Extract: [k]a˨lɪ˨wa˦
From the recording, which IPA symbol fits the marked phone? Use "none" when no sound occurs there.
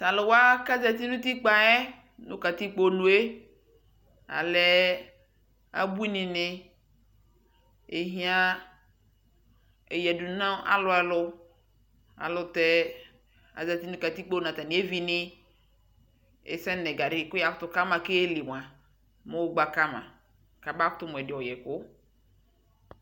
t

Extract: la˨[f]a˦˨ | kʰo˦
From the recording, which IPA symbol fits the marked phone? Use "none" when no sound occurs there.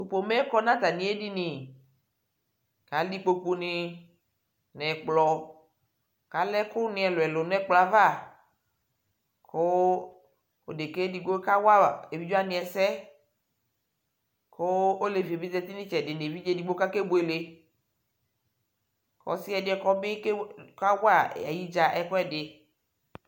v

